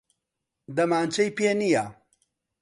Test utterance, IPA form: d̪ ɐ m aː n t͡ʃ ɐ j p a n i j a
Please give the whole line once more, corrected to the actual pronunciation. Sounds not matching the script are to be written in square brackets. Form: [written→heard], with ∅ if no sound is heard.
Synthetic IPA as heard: d̪ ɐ m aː n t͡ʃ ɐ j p [a→e] n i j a